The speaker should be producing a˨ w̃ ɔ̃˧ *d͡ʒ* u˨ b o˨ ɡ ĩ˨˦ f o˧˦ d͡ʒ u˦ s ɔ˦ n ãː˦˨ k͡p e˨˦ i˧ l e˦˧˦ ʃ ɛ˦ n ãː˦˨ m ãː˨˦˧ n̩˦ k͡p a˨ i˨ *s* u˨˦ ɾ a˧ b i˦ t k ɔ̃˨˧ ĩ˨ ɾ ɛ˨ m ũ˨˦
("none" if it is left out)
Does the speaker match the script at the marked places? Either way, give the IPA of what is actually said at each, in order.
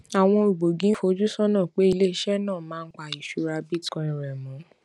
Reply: none, ʃ

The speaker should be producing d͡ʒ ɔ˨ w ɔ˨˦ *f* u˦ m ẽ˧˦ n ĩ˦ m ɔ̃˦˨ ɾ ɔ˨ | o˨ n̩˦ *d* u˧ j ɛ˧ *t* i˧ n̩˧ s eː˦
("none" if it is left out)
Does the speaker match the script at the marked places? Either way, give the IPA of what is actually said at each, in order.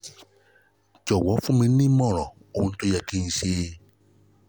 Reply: f, t, k

